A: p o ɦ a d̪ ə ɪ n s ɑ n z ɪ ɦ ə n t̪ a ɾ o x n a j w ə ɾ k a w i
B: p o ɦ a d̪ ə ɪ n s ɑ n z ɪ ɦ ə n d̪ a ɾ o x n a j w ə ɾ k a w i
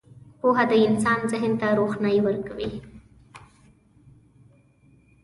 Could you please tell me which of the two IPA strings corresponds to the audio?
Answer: A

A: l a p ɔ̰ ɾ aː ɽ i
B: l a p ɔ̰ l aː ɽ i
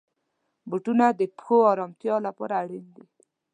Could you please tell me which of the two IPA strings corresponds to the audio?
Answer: A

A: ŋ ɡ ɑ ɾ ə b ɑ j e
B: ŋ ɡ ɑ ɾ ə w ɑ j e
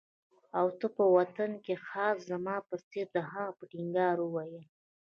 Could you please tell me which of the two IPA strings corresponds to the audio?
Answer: B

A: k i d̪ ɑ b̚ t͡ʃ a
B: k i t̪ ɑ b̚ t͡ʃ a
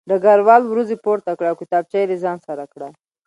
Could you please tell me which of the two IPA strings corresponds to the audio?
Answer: B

